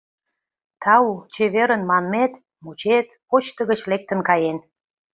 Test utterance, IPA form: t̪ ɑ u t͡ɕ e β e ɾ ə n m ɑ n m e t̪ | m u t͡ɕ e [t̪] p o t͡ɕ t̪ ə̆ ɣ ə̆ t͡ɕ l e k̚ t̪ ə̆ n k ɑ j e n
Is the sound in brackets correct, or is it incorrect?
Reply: correct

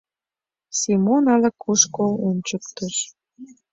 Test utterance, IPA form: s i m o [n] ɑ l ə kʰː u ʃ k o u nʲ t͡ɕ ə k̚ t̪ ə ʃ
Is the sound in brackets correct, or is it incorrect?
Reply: correct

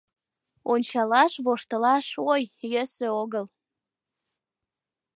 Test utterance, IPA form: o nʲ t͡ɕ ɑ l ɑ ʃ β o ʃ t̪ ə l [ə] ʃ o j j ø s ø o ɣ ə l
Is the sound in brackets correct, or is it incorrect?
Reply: incorrect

